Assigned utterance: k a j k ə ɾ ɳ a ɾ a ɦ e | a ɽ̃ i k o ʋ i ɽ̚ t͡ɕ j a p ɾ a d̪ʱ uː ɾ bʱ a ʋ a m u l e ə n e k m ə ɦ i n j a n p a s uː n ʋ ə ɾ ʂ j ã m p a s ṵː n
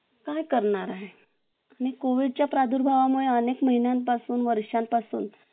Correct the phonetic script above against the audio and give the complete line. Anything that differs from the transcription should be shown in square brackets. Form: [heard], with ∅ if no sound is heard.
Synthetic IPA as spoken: k a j k ə ɾ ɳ a ɾ a ɦ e | a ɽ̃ i k o ʋ i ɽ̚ t͡ɕ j a p ɾ a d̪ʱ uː ɾ bʱ a ʋ a m u [ɭ] e ə n e k m ə ɦ i n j a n p a s uː n ʋ ə ɾ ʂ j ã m p a s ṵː n

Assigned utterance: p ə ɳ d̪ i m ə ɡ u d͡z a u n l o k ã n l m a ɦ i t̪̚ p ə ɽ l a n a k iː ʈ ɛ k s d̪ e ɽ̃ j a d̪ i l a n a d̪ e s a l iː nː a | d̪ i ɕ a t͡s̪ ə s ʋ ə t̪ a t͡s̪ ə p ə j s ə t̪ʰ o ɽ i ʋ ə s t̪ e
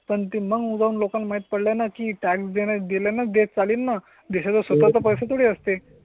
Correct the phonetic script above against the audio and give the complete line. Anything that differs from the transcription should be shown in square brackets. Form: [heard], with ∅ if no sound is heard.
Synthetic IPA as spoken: p ə ɳ [t̪] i m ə ɡ u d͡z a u n l o k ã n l m a ɦ i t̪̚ p ə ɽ l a n a k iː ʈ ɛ k s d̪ e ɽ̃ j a d̪ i l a n a d̪ e [t͡s] a l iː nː a | d̪ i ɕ a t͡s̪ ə s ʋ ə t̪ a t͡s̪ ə p ə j s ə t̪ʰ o ɽ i [∅] ə s t̪ e

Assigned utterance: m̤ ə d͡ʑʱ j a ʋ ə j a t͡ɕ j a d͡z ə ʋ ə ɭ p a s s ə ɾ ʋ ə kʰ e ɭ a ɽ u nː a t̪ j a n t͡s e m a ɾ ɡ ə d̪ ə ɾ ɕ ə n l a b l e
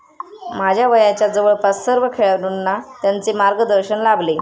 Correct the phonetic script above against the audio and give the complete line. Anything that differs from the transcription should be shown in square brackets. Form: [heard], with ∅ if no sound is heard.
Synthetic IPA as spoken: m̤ [a] d͡ʑʱ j a ʋ ə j a t͡ɕ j a d͡z ə ʋ ə ɭ p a s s ə ɾ ʋ ə kʰ e ɭ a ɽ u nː a t̪ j a n t͡s e m a ɾ ɡ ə d̪ ə ɾ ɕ ə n l a b l e

